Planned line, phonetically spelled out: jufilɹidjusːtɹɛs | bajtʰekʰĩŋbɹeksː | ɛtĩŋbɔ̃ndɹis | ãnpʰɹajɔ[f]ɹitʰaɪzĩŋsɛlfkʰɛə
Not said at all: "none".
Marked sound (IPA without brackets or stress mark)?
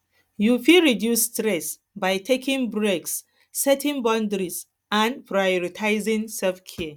none